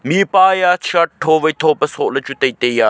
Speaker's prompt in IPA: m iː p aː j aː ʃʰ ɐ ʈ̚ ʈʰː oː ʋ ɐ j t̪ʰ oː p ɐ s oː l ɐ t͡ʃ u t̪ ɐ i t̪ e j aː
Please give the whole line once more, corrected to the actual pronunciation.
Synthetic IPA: m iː p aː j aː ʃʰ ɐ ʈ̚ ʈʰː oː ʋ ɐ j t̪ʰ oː p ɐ s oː l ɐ t͡ʃ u t̪ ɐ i t̪ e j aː